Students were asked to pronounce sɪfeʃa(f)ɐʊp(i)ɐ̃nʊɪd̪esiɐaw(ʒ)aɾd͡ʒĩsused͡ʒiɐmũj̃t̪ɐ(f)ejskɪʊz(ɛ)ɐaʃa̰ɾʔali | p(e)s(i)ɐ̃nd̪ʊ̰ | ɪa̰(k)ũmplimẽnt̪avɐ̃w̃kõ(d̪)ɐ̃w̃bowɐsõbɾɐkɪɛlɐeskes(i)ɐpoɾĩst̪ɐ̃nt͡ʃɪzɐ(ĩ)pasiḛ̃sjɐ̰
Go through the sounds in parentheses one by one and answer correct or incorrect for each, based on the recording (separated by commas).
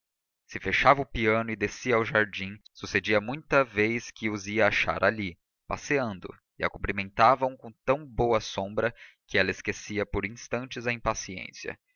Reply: incorrect, correct, correct, incorrect, incorrect, incorrect, incorrect, correct, incorrect, correct, correct